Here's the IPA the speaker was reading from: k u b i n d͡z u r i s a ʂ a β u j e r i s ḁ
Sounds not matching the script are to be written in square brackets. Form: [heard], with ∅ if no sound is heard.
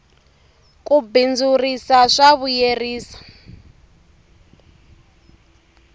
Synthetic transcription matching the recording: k u b i n d͡z u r i s a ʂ a β u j e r [iː] s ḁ